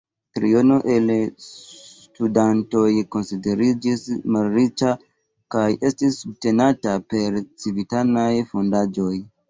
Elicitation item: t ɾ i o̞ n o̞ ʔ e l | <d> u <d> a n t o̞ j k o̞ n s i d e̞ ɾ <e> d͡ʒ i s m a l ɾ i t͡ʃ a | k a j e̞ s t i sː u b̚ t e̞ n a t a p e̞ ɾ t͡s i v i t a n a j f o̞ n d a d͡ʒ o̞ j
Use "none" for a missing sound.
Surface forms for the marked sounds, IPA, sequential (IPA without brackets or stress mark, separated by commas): t, d, i